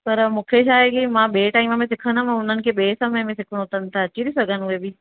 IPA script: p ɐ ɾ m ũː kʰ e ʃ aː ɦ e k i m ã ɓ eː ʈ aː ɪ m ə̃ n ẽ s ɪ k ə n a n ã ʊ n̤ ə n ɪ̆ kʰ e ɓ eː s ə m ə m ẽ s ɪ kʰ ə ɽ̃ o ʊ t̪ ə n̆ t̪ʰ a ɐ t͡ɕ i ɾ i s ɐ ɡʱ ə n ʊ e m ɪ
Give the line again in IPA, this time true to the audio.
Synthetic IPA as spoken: p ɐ ɾ m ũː kʰ e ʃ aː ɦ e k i m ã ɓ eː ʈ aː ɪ m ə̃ m ẽ s ɪ kʰ ə n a m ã ʊ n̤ ə n ɪ̆ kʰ e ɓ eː s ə m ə m ẽ s ɪ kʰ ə ɽ̃ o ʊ t̪ ə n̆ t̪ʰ a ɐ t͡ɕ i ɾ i s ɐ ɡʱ ə n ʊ e b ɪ